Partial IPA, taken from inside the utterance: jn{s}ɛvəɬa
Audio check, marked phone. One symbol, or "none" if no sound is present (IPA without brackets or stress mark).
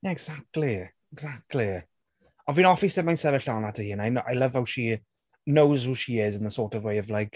s